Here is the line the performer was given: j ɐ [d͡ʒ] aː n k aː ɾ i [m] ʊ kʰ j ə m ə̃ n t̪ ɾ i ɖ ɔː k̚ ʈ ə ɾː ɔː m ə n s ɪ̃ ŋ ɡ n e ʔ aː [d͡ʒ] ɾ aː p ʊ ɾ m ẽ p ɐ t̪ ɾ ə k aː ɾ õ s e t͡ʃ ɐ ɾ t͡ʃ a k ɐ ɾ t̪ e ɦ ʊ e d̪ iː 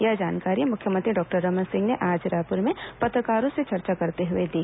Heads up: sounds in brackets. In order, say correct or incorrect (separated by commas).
correct, correct, correct